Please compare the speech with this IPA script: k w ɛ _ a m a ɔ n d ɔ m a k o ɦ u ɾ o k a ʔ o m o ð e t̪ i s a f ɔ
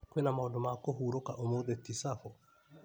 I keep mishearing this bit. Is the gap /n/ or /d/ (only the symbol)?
n